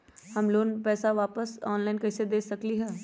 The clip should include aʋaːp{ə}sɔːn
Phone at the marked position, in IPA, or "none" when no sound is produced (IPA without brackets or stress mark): ə